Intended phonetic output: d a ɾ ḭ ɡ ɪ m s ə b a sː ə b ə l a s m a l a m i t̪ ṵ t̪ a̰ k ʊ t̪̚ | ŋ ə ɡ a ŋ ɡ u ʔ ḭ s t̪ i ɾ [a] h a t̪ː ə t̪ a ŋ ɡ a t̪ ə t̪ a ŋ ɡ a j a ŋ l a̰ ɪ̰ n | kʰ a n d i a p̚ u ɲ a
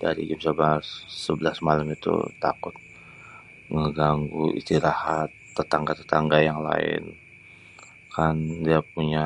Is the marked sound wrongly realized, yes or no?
no